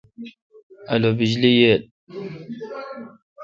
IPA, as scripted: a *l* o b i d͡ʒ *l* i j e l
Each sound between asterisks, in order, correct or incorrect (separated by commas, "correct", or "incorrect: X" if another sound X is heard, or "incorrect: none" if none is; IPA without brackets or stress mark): correct, correct